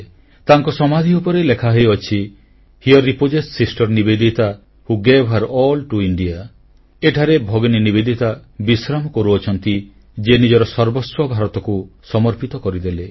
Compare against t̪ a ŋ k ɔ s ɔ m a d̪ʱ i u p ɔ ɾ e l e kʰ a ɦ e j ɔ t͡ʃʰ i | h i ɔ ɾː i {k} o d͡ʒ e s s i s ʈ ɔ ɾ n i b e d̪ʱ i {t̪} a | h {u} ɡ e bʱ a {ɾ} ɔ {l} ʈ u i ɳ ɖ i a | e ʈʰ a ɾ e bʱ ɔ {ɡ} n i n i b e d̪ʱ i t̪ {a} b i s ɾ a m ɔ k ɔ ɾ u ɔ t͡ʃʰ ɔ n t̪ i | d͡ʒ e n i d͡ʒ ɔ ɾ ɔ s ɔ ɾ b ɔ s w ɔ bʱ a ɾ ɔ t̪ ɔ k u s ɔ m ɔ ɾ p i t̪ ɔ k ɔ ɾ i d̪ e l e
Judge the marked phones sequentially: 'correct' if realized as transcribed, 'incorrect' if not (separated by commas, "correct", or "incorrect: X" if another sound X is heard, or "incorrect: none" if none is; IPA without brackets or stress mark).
incorrect: p, correct, correct, correct, correct, correct, correct